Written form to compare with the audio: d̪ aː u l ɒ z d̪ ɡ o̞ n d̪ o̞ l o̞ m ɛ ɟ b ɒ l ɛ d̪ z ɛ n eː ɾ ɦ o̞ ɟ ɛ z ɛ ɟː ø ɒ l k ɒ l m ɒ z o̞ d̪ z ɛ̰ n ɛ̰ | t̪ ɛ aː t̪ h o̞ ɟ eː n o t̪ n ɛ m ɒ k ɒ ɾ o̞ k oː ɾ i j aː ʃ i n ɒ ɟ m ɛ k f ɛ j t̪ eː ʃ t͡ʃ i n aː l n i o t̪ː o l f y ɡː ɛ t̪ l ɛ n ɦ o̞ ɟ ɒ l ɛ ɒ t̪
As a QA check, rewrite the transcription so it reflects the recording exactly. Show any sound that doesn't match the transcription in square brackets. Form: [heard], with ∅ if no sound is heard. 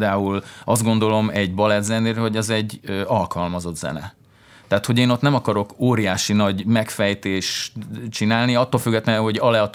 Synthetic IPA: d̪ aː u l ɒ z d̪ ɡ o̞ n d̪ o̞ l o̞ m ɛ ɟ b ɒ l ɛ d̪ z ɛ n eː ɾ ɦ o̞ ɟ ɛ z ɛ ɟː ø ɒ l k ɒ l m ɒ z o̞ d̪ z ɛ̰ n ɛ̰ | t̪ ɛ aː t̪ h o̞ ɟ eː n o t̪ n ɛ m ɒ k ɒ ɾ o̞ k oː ɾ i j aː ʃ i n ɒ ɟ m ɛ k f ɛ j t̪ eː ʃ t͡ʃ i n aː l n i [ɒ] t̪ː o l f y ɡː ɛ t̪ l ɛ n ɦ o̞ ɟ ɒ l ɛ ɒ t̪